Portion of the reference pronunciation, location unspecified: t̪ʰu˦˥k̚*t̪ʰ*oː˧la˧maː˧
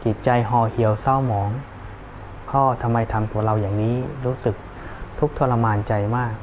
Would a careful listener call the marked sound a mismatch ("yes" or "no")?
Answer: no